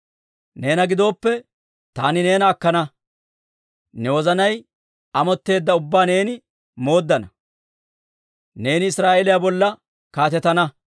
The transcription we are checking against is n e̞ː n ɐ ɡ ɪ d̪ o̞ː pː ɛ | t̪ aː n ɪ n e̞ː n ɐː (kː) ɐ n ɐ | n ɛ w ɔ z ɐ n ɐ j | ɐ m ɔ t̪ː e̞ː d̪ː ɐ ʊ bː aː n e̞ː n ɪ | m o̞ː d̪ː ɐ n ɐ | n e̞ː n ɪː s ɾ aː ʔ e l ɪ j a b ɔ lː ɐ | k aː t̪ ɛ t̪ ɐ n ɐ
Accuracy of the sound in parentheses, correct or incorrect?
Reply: correct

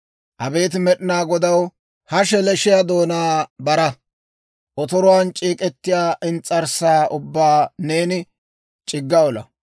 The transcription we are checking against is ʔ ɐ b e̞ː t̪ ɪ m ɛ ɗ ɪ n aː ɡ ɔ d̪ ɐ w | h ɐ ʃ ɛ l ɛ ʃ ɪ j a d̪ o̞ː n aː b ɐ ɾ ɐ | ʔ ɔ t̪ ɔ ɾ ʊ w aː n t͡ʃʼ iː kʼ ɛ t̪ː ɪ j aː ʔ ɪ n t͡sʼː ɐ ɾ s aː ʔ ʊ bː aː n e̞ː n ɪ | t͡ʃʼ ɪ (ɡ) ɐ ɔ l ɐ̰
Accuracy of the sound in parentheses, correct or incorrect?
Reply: incorrect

